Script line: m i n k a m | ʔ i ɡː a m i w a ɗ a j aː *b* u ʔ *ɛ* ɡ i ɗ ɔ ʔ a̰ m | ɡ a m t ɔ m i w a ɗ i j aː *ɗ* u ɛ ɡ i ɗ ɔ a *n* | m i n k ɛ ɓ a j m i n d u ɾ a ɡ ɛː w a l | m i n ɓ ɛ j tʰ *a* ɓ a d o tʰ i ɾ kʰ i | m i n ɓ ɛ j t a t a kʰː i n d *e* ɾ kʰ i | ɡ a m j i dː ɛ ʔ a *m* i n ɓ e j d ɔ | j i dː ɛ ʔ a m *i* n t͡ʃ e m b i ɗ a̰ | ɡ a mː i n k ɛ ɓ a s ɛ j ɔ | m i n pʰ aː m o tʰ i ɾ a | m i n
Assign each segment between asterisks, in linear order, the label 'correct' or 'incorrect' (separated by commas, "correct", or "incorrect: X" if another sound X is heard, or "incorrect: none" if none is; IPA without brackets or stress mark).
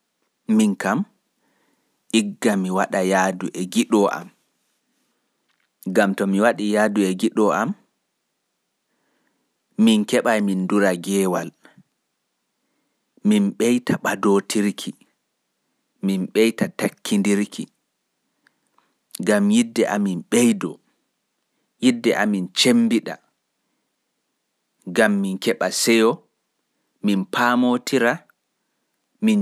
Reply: incorrect: d, correct, incorrect: d, incorrect: m, correct, incorrect: i, correct, correct